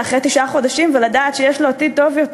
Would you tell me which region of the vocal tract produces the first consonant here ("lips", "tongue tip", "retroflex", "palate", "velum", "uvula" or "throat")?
uvula